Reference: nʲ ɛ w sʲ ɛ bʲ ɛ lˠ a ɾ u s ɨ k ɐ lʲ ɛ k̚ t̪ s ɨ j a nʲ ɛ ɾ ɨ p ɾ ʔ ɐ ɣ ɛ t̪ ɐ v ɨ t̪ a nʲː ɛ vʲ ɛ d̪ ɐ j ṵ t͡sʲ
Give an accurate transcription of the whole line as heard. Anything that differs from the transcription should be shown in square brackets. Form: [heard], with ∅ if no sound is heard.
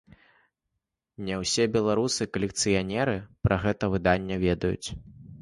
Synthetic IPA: nʲ ɛ w sʲ ɛ bʲ ɛ lˠ a ɾ u s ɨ k ɐ lʲ ɛ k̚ t̪ s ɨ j a nʲ ɛ ɾ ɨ p ɾ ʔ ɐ ɣ ɛ t̪ ɐ v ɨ [d̪] a nʲː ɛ vʲ ɛ d̪ ɐ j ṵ t͡sʲ